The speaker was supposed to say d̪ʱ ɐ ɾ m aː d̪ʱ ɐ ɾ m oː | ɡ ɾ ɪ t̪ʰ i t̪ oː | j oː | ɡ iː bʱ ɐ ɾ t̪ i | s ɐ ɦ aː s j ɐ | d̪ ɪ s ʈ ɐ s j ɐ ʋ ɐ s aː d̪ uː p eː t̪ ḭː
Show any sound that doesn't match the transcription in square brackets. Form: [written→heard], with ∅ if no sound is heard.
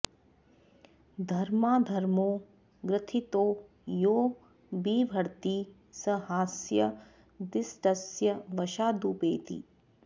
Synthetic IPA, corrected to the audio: d̪ʱ ɐ ɾ m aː d̪ʱ ɐ ɾ m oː | ɡ ɾ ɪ t̪ʰ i t̪ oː | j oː | [ɡ→b] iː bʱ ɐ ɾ t̪ i | s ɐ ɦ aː s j ɐ | d̪ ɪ s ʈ ɐ s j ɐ ʋ ɐ [s→ʃ] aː d̪ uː p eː t̪ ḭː